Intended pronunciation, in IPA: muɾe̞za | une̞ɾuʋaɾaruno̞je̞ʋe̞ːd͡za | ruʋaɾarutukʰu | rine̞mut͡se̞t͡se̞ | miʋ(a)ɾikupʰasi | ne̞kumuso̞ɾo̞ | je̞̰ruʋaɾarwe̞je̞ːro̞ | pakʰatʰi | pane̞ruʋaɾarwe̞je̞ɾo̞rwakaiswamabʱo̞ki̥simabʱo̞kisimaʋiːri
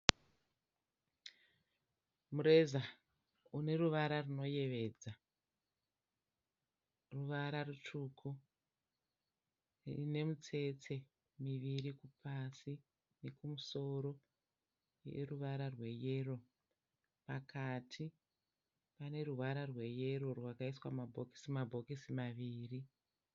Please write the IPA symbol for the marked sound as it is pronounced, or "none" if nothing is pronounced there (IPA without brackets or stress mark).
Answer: i